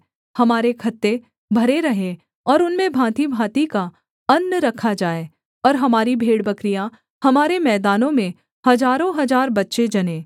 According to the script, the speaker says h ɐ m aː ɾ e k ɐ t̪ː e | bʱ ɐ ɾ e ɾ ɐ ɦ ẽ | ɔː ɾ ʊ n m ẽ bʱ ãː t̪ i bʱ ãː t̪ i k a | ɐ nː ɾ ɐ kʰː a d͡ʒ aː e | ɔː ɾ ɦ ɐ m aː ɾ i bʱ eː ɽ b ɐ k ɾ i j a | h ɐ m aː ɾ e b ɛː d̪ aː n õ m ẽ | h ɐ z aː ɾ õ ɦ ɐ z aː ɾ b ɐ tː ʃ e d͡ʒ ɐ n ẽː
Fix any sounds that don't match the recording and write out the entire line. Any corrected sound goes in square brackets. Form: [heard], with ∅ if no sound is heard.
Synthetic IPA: h ɐ m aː ɾ e [kʰ] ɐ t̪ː e | bʱ ɐ ɾ e ɾ ɐ ɦ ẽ | ɔː ɾ ʊ n m ẽ bʱ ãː t̪ i bʱ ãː t̪ i k a | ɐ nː ɾ ɐ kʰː a d͡ʒ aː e | ɔː ɾ ɦ ɐ m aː ɾ i bʱ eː ɽ b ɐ k ɾ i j a | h ɐ m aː ɾ e [m] ɛː d̪ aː n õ m ẽ | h ɐ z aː ɾ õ ɦ ɐ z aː ɾ b ɐ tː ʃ e d͡ʒ ɐ n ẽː

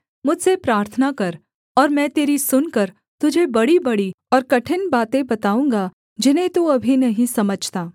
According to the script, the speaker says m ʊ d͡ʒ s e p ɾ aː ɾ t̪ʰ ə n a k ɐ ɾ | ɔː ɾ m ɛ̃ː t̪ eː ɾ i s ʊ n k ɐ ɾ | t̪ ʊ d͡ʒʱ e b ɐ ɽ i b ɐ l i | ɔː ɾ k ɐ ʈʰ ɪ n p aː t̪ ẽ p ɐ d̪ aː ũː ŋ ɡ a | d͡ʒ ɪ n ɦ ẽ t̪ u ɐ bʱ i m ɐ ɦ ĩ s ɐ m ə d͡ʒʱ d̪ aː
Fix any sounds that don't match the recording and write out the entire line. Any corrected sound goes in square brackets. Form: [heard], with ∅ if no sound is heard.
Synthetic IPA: m ʊ d͡ʒ s e p ɾ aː ɾ t̪ʰ ə n a k ɐ ɾ | ɔː ɾ m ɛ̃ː t̪ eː ɾ i s ʊ n k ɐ ɾ | t̪ ʊ d͡ʒʱ e b ɐ ɽ i b ɐ [ɽ] i | ɔː ɾ k ɐ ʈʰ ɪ n [b] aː t̪ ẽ [b] ɐ [t̪] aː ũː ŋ ɡ a | d͡ʒ ɪ n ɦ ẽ t̪ u ɐ bʱ i [n] ɐ ɦ ĩ s ɐ m ə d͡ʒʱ [t̪] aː

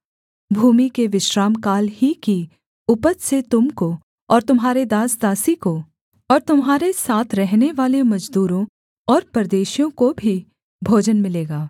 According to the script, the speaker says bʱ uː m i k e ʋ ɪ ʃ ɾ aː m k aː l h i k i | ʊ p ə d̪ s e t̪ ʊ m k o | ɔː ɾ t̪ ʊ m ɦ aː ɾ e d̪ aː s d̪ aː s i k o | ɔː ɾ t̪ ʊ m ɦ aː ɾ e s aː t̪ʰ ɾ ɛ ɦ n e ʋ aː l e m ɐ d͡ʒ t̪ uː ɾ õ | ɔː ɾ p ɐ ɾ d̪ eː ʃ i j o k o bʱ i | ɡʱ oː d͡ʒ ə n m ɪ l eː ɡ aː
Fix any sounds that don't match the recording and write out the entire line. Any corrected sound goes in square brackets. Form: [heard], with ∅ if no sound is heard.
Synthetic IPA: bʱ uː m i k e ʋ ɪ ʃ ɾ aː m k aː l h i k i | ʊ p ə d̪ s e t̪ ʊ m k o | ɔː ɾ t̪ ʊ m ɦ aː ɾ e d̪ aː s d̪ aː s i k o | ɔː ɾ t̪ ʊ m ɦ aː ɾ e s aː t̪ʰ ɾ ɛ ɦ n e ʋ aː l e m ɐ d͡ʒ [d̪] uː ɾ õ | ɔː ɾ p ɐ ɾ d̪ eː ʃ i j [õ] k o bʱ i | [bʱ] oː d͡ʒ ə n m ɪ l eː ɡ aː

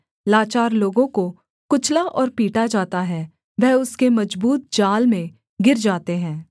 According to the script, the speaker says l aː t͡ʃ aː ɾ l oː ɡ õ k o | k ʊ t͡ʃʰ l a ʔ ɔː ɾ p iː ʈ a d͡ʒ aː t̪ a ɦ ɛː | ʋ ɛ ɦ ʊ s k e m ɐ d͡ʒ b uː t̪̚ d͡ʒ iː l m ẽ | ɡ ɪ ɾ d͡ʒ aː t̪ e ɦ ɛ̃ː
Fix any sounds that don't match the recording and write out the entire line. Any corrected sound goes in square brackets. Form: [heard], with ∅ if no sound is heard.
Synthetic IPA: l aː t͡ʃ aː ɾ l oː ɡ õ k o | k ʊ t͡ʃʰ l a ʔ ɔː ɾ p iː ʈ a d͡ʒ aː t̪ a ɦ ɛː | ʋ ɛ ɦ ʊ s k e m ɐ d͡ʒ b uː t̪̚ d͡ʒ [aː] l m ẽ | ɡ ɪ ɾ d͡ʒ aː t̪ e ɦ ɛ̃ː

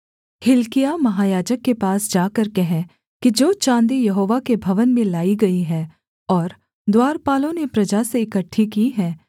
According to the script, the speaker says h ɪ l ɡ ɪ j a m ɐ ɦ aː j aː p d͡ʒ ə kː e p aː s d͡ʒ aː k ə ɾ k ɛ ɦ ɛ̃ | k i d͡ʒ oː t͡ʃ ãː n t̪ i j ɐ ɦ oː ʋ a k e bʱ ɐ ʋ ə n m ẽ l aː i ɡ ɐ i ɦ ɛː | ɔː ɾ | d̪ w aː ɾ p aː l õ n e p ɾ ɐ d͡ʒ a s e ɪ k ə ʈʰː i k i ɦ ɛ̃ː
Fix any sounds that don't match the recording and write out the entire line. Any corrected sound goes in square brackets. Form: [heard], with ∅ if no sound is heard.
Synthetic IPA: h ɪ l [k] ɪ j a m ɐ ɦ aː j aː [∅] d͡ʒ ə kː e p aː s d͡ʒ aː k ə ɾ k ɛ ɦ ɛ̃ | k i d͡ʒ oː t͡ʃ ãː n [d̪] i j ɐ ɦ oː ʋ a k e bʱ ɐ ʋ ə n m ẽ l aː i ɡ ɐ i ɦ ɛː | ɔː ɾ | d̪ w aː ɾ p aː l õ n e p ɾ ɐ d͡ʒ a s e ɪ k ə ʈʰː i k i ɦ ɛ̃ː

